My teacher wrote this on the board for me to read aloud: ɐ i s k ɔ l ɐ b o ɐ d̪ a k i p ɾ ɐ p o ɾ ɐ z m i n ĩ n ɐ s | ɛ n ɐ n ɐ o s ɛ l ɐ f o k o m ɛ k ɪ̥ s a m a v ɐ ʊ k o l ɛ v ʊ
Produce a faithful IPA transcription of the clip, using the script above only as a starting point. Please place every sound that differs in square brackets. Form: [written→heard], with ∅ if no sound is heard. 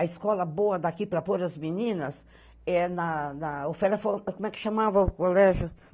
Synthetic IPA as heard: ɐ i s k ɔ l ɐ b o ɐ d̪ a k i p ɾ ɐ p o ɾ ɐ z m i n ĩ n ɐ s | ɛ n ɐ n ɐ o [s→f] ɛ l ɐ f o k o m ɛ k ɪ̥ [s→ʃ] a m a v ɐ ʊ k o l ɛ [v→ʒ] ʊ